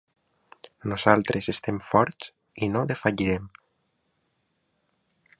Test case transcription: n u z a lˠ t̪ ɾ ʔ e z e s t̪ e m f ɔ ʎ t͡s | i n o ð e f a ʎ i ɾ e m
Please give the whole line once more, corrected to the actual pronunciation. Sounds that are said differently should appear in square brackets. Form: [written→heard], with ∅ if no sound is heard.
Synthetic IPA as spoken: n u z a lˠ t̪ ɾ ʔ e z e s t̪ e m f ɔ [ʎ→ɾ] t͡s | i n o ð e f a ʎ i ɾ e m

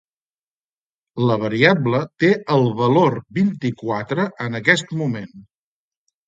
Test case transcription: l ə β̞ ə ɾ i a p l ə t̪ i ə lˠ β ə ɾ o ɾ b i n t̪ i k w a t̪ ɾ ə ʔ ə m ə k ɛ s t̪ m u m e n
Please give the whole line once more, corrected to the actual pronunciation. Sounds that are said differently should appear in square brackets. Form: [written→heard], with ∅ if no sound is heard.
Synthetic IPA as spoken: l ə β̞ ə ɾ i a [p→b] l ə t̪ [i→e] ə lˠ β ə [ɾ→l] o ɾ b i n t̪ i k w a t̪ ɾ ə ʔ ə [m→n] ə k ɛ s t̪ m u m e n

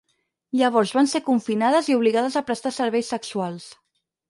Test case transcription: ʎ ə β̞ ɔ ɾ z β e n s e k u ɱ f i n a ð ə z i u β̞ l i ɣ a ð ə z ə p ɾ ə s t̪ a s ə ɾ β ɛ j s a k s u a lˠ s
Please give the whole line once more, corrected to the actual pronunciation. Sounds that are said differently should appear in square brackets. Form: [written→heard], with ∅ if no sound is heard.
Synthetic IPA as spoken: ʎ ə β̞ ɔ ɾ z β [e→a] n s e k u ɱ f i n a ð ə z i u β̞ l i ɣ a ð ə z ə p ɾ ə s t̪ a s ə ɾ β ɛ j s [a→ə] k s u a lˠ s

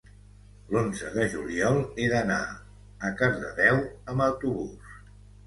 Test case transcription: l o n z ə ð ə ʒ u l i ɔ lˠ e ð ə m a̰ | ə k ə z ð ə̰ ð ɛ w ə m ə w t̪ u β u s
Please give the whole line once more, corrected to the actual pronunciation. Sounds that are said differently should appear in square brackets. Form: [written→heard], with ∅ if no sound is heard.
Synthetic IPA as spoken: l o n z ə ð ə ʒ u l i ɔ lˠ e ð ə [m→n] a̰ | ə k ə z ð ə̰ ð ɛ w ə m ə w t̪ u β u s

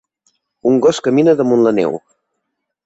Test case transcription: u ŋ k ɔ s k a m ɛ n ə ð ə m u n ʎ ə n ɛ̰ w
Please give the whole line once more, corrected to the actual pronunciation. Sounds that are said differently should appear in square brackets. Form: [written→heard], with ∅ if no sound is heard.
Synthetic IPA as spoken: u ŋ [k→ɡ] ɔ s k [a→ə] m [ɛ→i] n ə ð ə m u n [ʎ→l] ə n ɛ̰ w

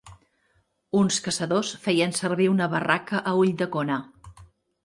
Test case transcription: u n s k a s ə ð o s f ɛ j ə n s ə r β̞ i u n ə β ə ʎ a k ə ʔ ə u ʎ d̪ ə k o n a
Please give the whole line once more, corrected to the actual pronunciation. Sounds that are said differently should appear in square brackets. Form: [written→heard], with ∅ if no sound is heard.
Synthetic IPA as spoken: u n s k [a→ə] s ə ð o s f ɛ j ə n s ə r β̞ i u n ə β ə [ʎ→r] a k ə ʔ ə u ʎ d̪ ə k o n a

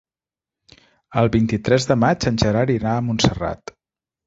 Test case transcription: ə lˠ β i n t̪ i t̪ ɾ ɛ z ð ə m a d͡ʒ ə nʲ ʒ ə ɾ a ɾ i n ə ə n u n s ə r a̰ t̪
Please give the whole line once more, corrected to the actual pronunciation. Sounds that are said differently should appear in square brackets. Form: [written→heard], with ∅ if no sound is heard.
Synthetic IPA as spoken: ə lˠ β i n t̪ i t̪ ɾ ɛ z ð ə m a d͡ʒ ə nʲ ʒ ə ɾ a ɾ i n [ə→a] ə [n→m] u n s ə r a̰ t̪

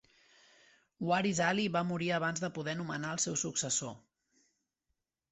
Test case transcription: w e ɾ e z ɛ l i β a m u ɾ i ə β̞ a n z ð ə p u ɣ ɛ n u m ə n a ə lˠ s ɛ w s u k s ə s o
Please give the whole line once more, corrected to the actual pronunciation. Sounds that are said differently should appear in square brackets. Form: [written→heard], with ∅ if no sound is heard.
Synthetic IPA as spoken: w [e→a] ɾ [e→i] z [ɛ→a] l i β a m u ɾ i ə β̞ a n z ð ə p u [ɣ→ð] ɛ n u m ə n a ə lˠ s ɛ w s u k s ə s o

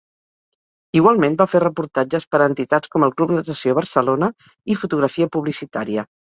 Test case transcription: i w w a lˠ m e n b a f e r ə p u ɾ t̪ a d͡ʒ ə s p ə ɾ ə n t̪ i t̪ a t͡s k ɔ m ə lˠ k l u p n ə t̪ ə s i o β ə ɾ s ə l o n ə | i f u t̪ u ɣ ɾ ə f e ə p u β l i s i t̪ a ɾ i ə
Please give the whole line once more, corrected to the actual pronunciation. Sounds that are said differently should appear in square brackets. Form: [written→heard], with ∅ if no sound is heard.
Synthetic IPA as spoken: i [w→ɣ] w a lˠ m e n b a f e r ə p u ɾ t̪ a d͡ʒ ə s p ə ɾ ə n t̪ i t̪ a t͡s k ɔ m ə lˠ k l u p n ə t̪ ə s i o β ə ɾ s ə l o n ə | i f u t̪ u ɣ ɾ ə f [e→i] ə p u β l i s i t̪ a ɾ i ə

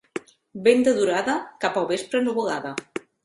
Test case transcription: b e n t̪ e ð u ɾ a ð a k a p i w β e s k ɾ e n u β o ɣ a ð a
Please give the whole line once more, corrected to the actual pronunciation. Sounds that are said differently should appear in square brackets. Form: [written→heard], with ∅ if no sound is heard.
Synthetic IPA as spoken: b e n [t̪→d̪] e ð u ɾ a ð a k a p [i→a] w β e s [k→p] ɾ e n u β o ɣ a ð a

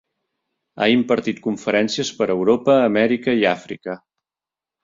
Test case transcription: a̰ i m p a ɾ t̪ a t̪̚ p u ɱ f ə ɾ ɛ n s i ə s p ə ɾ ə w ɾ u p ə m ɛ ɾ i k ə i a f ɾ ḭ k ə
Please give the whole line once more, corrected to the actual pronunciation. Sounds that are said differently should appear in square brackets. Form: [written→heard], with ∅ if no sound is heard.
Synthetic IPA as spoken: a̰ i m p [a→ə] ɾ t̪ [a→i] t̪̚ [p→k] u ɱ f ə ɾ ɛ n s i ə s p ə ɾ ə w ɾ [u→o] p [ə→əː] m ɛ ɾ i k ə i a f ɾ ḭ k ə

